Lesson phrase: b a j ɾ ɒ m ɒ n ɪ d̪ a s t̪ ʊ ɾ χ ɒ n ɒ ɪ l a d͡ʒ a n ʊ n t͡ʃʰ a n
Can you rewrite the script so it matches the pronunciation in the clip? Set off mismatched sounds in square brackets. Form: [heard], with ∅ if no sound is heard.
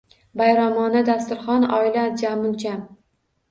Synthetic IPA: b a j ɾ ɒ m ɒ n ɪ d̪ a s t̪ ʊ ɾ χ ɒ n ɒ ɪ l a d͡ʒ a [m] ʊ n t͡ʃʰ a [m]